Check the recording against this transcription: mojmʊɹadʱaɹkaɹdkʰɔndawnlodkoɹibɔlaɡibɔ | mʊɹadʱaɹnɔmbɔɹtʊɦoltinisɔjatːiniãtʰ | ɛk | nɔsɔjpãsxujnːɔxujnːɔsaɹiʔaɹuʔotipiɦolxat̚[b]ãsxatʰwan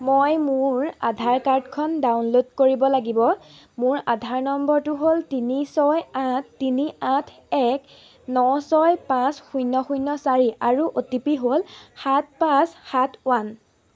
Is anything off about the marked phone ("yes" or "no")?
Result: yes